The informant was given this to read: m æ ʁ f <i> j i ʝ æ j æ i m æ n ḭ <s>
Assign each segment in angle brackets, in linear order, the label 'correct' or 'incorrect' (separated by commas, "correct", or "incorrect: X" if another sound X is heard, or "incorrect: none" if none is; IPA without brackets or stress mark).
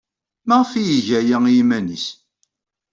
correct, correct